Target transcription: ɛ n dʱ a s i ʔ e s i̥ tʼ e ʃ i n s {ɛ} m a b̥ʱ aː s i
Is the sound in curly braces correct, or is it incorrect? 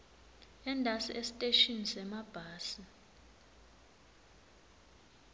correct